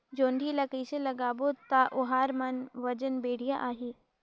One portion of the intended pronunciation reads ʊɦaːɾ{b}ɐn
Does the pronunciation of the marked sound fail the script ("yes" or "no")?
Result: yes